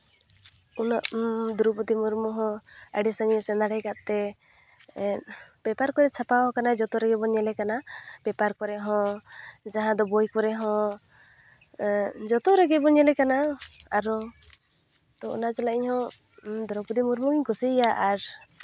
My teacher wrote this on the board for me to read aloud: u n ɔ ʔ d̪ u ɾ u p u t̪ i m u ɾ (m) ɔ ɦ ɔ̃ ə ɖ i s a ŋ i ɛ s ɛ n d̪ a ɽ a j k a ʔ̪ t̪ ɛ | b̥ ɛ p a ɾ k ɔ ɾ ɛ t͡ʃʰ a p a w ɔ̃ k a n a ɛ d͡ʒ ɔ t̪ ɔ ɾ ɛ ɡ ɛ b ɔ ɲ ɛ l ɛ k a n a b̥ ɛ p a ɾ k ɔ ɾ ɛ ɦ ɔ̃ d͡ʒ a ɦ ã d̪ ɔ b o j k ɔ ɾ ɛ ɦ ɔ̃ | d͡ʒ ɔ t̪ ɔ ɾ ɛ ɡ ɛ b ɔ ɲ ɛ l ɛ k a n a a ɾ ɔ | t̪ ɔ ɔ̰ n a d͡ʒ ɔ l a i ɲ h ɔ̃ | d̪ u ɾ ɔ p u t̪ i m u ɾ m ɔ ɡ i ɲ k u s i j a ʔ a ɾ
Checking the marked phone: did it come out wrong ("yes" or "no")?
no